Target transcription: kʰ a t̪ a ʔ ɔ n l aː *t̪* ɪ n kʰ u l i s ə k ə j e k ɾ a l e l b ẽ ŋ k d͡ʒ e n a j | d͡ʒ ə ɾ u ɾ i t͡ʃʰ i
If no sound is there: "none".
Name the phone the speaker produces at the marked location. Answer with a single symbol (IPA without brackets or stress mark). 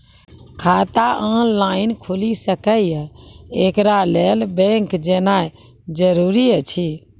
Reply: none